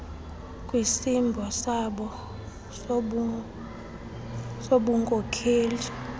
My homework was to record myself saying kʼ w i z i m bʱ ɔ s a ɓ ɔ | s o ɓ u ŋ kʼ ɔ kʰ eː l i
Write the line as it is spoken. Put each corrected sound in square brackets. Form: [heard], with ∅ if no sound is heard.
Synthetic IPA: kʼ w i [s] i m bʱ ɔ s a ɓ ɔ | s o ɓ u ŋ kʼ ɔ kʰ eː l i